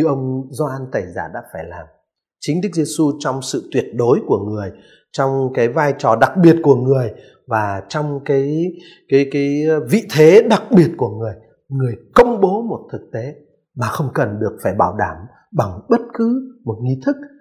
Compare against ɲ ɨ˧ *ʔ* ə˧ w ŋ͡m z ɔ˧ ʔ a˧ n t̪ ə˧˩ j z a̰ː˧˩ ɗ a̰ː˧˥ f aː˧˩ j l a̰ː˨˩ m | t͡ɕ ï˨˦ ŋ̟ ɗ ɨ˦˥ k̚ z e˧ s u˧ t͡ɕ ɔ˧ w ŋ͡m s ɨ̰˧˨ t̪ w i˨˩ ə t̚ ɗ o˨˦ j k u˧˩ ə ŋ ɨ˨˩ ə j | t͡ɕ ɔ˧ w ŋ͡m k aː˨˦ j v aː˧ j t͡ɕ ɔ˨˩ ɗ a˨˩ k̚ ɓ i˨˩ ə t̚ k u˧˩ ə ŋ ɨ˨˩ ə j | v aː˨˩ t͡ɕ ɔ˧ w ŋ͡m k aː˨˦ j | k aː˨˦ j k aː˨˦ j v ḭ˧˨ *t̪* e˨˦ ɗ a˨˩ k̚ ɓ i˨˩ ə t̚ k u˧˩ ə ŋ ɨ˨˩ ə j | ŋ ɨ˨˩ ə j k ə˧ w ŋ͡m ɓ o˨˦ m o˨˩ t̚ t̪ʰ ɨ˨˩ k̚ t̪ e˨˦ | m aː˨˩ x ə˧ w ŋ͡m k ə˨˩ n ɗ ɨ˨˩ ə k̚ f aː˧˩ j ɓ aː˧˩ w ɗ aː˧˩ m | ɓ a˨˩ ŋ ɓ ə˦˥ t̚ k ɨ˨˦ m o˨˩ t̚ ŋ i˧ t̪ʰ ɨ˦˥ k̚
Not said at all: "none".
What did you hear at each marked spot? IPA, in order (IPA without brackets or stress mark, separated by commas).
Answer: ʔ, t̪ʰ